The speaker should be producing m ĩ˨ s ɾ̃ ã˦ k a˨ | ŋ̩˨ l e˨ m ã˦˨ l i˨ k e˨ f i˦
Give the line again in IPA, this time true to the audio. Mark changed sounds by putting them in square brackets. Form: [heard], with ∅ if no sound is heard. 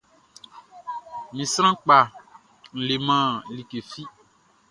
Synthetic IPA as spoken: m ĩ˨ s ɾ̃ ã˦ [k͡p] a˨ | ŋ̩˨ l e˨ m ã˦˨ l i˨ k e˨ f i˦